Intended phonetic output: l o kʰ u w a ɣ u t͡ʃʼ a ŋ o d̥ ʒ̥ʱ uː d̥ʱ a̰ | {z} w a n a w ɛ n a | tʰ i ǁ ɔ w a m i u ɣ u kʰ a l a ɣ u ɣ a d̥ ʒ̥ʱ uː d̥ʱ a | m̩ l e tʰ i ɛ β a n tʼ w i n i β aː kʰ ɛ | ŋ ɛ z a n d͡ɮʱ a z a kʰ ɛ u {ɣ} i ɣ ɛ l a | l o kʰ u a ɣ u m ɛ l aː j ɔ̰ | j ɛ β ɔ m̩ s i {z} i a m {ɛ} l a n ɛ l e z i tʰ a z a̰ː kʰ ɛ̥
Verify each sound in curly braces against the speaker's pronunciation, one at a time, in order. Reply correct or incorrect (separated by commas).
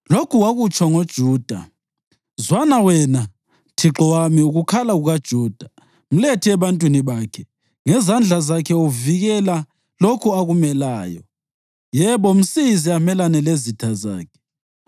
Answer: correct, incorrect, correct, correct